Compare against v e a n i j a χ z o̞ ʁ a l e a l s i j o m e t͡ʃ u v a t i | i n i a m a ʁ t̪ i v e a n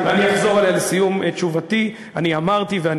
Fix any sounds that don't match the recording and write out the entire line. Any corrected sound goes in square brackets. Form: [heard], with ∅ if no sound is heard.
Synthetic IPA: v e a n i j a χ z o̞ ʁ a l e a l s i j [u] m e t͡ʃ u v a t i | [a] n i a m a ʁ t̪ i v e a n